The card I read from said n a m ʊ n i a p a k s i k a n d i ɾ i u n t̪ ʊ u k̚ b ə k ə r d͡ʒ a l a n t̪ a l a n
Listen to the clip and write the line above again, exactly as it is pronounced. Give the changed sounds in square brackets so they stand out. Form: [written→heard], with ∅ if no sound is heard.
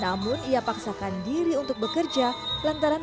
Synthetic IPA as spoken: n a m ʊ n i a p a k s [i→a] k a n d i ɾ i u n t̪ ʊ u k̚ b ə k ə r d͡ʒ a l a n t̪ a [l→ɾ] a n